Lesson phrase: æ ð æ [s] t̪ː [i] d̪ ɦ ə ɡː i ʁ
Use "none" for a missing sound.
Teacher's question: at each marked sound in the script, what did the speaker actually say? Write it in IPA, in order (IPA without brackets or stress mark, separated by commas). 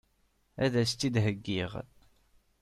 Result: s, i